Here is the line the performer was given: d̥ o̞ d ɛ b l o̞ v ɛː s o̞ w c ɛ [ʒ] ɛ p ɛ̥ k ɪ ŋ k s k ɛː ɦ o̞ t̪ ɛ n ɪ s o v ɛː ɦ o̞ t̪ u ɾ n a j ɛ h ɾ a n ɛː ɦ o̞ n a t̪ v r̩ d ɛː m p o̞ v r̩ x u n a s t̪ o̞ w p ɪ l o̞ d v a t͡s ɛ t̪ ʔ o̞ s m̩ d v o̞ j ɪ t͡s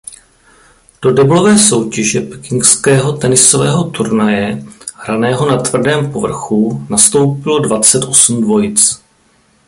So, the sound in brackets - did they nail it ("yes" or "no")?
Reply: yes